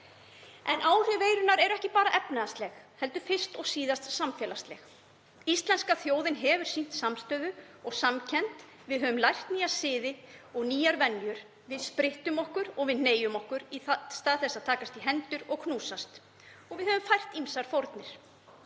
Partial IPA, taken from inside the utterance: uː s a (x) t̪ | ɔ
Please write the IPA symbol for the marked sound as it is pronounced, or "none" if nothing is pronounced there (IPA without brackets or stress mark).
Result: s